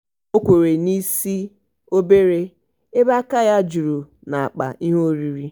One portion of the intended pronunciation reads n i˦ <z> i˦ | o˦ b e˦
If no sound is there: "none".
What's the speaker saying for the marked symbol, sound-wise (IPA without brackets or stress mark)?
s